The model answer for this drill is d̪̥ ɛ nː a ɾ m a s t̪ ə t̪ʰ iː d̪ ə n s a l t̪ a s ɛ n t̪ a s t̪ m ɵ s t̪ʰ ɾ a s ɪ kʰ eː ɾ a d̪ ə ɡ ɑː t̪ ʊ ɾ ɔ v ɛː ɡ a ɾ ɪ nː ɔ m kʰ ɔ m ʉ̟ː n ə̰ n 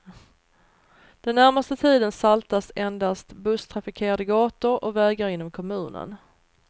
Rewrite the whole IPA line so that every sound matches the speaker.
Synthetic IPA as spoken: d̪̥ ɛ nː æ ɾ m a s t̪ ə t̪ʰ iː d̪ ə n s a l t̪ a s ɛ n d̪ a s t̪ b ɵ s t̪ʰ ɾ a f ɪ kʰ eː ɾ a d̪ ə ɡ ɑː t̪ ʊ ɾ ɔ v ɛː ɡ a ɾ ɪ nː ɔ m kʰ ɔ m ʉ̟ː n ə̰ n